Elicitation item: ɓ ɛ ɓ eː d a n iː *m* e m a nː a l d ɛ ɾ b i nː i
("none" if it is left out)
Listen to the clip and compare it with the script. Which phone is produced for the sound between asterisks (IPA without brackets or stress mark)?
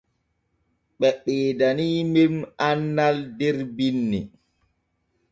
m